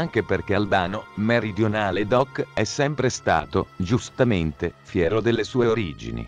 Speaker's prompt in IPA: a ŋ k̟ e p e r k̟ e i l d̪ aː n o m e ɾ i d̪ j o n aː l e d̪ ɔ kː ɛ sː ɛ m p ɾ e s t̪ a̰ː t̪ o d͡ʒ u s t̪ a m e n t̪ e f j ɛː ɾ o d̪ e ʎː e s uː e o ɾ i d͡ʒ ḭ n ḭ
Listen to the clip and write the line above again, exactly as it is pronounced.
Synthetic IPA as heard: a ŋ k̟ e p e r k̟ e a l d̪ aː n o m e ɾ i d̪ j o n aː l e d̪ ɔ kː ɛ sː ɛ m p ɾ e s t̪ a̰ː t̪ o d͡ʒ u s t̪ a m e n t̪ e f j ɛː ɾ o d̪ e lː e s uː e o ɾ i d͡ʒ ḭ n ḭ